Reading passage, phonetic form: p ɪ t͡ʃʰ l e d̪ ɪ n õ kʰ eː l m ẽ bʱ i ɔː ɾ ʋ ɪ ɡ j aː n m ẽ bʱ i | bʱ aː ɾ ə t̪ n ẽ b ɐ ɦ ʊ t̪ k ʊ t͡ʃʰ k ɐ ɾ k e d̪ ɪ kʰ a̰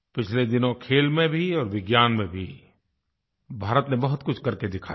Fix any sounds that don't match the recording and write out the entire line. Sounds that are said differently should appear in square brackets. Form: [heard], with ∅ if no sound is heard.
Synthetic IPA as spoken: p ɪ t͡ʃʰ l e d̪ ɪ n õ kʰ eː l m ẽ bʱ i ɔː ɾ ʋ ɪ ɡ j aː n m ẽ bʱ i | bʱ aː ɾ ə t̪ n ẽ b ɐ ɦ ʊ t̪ k ʊ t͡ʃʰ k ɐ ɾ k e d̪ ɪ kʰ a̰